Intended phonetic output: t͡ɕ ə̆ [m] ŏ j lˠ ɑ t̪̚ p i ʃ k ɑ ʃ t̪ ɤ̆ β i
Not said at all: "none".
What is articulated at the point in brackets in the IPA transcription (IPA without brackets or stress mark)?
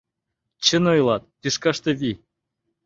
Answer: n